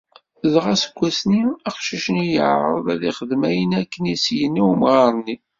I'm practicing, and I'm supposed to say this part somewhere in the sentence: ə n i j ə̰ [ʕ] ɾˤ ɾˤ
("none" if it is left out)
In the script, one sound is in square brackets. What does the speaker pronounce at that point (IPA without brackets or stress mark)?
ʕ